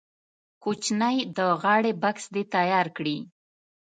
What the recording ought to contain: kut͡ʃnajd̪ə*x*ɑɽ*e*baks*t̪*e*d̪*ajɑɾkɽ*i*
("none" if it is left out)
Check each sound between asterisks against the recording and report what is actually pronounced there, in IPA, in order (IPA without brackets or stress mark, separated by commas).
ɣ, e, d̪, t̪, i